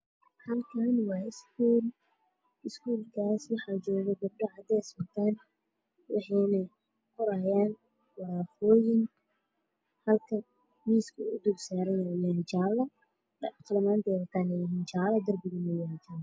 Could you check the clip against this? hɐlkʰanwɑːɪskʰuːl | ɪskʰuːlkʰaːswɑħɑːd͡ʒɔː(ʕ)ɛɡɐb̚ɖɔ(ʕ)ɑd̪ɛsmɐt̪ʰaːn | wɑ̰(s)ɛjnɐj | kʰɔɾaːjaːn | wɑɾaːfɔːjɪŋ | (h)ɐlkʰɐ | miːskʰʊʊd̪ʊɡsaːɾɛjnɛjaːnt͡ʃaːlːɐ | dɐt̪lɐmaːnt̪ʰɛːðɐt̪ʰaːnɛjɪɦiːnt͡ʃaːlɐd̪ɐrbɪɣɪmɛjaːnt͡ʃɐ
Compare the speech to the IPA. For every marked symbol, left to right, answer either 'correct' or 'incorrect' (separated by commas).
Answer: incorrect, correct, incorrect, correct